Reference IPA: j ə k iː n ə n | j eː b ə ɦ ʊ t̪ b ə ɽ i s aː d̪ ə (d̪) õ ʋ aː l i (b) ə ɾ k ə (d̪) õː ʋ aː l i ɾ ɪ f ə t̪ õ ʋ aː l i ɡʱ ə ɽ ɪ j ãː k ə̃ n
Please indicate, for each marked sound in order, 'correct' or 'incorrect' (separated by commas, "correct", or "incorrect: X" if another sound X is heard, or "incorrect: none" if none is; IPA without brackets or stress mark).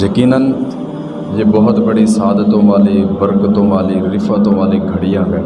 incorrect: t̪, correct, incorrect: t̪